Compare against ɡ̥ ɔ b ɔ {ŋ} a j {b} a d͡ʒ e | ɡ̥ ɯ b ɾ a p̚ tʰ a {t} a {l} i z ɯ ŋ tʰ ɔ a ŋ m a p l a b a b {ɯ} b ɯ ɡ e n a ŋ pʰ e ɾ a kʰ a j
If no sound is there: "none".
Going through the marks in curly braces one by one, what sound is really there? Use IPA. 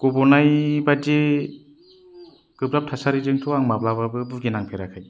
n, b, s, ɾ, ɯ

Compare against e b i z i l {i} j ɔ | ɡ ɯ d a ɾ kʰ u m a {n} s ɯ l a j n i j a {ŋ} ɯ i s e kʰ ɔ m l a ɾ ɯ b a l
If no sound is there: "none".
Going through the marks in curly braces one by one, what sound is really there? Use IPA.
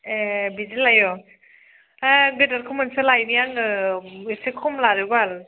a, n, ŋ

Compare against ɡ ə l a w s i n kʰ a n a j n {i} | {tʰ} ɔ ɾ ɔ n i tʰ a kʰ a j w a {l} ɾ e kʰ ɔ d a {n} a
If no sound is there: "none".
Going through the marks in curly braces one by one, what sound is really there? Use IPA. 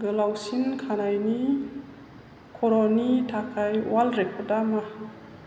i, kʰ, l, m

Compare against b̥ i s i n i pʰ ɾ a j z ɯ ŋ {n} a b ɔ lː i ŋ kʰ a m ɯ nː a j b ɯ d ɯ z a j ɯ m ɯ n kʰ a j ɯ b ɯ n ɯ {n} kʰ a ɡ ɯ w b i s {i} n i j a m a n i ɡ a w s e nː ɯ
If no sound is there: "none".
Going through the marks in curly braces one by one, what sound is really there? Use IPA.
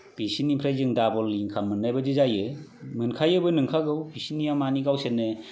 d, ŋ, i

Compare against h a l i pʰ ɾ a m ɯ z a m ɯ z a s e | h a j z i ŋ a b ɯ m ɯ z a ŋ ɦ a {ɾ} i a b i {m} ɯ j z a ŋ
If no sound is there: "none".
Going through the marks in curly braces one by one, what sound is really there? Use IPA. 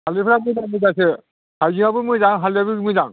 l, m

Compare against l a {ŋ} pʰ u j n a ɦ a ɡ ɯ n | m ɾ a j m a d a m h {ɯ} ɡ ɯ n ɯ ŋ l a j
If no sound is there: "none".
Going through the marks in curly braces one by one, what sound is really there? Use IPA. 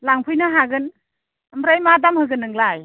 ŋ, ɯ

